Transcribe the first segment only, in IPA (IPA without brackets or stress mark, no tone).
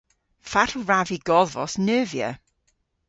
f